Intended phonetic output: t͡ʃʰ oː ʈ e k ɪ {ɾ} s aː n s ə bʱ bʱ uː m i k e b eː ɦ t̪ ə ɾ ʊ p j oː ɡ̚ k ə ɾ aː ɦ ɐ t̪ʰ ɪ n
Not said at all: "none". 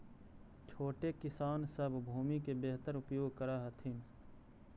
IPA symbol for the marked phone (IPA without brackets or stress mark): none